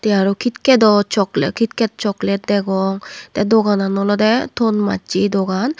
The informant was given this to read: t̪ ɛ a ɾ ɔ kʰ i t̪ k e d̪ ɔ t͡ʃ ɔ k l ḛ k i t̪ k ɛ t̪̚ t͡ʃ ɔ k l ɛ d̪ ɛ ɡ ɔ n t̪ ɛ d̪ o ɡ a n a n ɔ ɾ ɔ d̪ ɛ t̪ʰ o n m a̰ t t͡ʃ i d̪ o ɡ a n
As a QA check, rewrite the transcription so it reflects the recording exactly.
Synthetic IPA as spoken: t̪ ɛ a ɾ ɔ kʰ i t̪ k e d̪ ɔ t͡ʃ ɔ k l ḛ k i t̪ k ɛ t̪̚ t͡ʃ ɔ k l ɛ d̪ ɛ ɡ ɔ ŋ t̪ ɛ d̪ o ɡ a n a n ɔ l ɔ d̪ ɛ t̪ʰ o n m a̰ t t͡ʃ i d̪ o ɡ a n